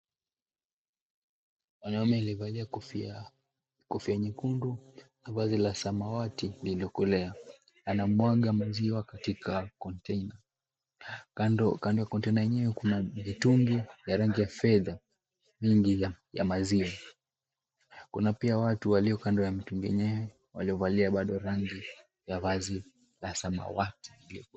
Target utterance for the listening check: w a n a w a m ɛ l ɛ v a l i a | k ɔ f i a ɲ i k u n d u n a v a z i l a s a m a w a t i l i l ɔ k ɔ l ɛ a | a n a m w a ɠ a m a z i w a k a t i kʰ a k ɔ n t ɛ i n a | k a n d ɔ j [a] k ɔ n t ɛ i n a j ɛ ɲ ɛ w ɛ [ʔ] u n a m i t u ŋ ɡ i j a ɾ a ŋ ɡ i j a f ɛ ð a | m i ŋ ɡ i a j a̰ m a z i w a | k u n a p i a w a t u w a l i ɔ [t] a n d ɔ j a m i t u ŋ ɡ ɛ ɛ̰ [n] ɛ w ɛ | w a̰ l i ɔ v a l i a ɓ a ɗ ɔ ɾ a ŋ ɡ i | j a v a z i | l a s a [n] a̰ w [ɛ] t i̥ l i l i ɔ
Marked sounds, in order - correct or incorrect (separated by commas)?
correct, incorrect, incorrect, incorrect, incorrect, incorrect